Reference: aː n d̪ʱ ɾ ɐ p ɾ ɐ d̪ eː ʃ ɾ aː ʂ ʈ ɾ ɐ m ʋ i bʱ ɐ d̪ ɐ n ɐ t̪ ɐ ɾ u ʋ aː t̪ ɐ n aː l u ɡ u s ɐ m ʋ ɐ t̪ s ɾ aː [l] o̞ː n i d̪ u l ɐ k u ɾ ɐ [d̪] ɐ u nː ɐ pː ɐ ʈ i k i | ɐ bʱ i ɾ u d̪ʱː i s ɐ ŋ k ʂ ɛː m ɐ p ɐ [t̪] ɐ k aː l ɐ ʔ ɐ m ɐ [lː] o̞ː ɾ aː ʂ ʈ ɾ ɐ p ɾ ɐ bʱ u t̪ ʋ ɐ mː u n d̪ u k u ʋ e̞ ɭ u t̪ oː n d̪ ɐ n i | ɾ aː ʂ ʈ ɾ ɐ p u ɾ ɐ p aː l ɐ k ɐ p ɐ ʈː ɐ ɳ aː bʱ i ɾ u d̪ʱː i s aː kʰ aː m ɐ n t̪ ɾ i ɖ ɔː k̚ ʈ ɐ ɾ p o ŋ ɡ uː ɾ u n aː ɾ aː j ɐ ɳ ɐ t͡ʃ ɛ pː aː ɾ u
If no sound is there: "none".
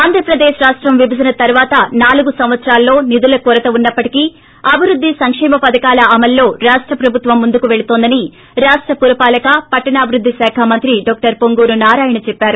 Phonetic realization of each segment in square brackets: lː, t̪, d̪, lː

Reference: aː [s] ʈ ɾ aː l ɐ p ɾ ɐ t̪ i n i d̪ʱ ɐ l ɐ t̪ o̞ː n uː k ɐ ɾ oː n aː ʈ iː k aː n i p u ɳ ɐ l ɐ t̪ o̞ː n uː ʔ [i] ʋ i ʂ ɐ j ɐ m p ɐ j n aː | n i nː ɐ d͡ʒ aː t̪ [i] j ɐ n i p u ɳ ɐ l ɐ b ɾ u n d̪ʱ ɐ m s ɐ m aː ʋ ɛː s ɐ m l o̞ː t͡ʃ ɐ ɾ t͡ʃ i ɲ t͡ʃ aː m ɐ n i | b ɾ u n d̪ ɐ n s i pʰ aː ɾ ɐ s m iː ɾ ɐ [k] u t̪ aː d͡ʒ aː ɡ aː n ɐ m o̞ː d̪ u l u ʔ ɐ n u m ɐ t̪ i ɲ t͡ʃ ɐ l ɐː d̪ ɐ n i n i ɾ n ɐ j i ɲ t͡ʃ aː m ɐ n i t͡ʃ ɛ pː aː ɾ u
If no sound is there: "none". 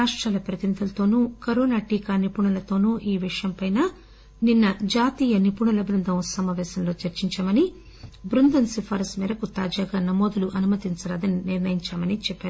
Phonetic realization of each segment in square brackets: ʂ, iː, iː, k

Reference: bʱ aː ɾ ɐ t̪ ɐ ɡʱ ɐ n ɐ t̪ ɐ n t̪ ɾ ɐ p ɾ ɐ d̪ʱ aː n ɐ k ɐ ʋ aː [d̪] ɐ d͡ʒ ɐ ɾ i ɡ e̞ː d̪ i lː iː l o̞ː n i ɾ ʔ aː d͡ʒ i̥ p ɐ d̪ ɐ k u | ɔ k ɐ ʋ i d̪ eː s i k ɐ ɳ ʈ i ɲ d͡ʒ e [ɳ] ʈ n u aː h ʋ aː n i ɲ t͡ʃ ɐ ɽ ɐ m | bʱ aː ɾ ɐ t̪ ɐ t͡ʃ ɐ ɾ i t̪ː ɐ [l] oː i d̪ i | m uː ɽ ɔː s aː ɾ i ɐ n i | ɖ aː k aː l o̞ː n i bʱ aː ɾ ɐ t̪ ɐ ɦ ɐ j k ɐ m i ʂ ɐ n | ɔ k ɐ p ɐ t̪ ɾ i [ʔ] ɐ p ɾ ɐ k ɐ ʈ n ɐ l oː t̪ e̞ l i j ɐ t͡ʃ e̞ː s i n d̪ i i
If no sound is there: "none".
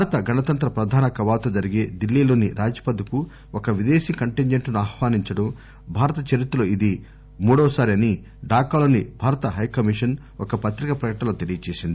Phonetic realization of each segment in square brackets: t̪, ɳ, l, k

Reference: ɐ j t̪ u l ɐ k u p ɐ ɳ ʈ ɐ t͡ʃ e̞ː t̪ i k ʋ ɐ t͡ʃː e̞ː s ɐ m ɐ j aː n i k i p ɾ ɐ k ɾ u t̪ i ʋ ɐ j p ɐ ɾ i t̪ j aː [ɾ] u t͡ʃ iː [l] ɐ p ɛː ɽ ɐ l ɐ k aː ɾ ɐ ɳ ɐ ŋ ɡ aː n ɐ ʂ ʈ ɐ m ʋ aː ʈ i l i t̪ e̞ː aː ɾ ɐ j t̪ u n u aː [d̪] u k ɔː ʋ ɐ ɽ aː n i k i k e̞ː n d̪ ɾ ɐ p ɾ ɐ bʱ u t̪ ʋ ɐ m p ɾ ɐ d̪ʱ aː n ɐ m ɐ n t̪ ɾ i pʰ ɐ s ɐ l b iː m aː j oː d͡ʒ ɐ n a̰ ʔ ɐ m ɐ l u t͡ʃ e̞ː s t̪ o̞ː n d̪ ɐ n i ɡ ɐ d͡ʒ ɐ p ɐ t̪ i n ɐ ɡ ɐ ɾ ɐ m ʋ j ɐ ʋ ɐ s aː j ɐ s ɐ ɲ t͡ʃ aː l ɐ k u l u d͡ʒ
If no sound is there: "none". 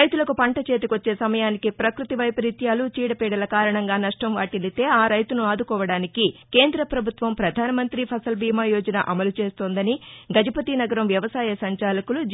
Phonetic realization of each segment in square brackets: l, ɽ, d̪

